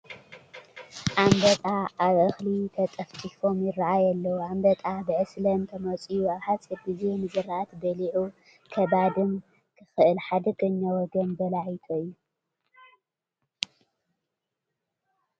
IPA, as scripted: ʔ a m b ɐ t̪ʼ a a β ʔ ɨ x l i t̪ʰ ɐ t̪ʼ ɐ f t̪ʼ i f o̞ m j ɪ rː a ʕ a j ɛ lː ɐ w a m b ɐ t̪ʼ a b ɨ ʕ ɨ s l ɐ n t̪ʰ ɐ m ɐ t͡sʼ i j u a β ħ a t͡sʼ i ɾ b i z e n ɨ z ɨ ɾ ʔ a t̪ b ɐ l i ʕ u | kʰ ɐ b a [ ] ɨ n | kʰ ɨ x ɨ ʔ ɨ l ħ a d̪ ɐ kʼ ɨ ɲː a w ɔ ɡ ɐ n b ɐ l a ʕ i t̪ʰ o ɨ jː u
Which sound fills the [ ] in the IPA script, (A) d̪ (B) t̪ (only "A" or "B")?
A